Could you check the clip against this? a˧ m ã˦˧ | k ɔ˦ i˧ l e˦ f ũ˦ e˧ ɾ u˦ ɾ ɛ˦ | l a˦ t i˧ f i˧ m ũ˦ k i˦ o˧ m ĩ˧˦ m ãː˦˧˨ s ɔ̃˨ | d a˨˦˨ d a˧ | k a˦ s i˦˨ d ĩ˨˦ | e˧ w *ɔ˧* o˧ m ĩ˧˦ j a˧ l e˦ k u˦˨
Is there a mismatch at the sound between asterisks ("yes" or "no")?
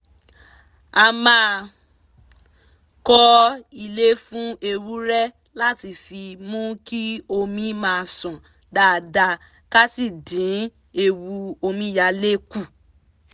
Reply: yes